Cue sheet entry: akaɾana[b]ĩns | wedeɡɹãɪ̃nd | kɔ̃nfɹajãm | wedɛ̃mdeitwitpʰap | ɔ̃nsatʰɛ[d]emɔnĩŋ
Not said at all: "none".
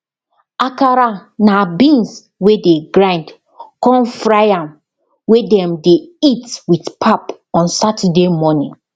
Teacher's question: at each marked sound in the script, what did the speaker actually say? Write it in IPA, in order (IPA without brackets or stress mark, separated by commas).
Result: b, d